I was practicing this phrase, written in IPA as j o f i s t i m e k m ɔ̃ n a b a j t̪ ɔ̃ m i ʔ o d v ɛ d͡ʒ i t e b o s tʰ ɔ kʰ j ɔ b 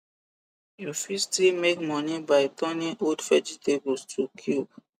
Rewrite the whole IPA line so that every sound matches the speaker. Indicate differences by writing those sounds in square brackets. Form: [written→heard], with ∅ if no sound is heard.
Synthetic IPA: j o f i s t i m e k m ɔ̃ n [a→i] b a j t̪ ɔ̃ [m→n] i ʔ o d [v→f] ɛ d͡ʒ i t e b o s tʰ [ɔ→u] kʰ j [ɔ→u] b